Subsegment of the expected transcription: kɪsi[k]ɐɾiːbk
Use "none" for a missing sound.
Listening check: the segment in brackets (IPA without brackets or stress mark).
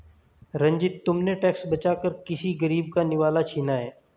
ɡ